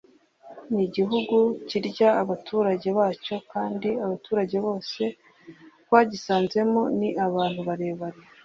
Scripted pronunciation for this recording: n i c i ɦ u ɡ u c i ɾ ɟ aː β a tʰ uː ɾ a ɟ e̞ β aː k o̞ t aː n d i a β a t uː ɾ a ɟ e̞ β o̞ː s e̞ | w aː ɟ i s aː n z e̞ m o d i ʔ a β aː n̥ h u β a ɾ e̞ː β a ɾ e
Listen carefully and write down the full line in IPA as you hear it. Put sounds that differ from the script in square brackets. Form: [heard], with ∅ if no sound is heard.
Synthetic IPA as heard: n i [ɟ] i ɦ u ɡ u c i ɾ ɟ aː β a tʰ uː ɾ a ɟ e̞ β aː [c] o̞ [k] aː n d i a β a t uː ɾ a ɟ e̞ β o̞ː s e̞ | w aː ɟ i s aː n z e̞ m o [n] i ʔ a β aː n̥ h u β a ɾ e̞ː β a ɾ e